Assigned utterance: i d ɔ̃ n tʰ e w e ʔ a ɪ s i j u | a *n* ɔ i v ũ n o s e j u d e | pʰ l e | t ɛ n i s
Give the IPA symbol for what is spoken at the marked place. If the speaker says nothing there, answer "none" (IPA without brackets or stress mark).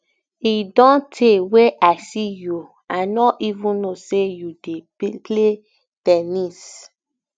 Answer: n